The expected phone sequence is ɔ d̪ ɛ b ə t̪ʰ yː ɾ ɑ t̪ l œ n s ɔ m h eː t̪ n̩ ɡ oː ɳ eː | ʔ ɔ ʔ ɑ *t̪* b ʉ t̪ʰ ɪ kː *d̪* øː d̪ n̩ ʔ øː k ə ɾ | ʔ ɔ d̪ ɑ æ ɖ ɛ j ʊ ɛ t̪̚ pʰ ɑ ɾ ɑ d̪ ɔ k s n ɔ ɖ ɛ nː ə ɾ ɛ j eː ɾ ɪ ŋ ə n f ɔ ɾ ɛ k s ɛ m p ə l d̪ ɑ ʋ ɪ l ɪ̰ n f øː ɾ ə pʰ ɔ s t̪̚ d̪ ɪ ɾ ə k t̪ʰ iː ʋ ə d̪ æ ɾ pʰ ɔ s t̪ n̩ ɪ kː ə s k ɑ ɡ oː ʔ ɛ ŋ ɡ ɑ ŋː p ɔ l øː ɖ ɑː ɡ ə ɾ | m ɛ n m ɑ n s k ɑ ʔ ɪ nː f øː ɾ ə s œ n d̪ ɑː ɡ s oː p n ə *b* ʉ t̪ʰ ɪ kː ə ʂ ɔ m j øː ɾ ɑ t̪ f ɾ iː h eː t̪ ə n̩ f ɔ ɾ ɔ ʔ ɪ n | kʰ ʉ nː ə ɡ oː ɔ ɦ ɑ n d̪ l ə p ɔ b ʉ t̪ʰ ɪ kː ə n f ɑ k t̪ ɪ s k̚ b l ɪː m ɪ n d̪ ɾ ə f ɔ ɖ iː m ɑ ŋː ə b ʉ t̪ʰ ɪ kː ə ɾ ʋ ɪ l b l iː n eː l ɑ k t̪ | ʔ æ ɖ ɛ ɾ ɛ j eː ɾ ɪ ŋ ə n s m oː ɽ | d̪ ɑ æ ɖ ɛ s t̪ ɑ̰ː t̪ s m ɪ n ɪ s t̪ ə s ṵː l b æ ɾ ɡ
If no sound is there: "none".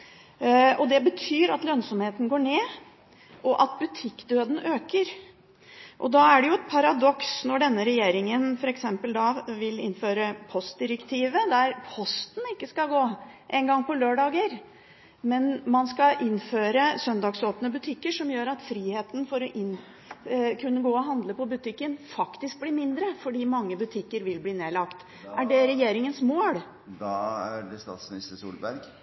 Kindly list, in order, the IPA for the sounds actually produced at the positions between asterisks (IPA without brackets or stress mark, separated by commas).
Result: t̪, d̪, b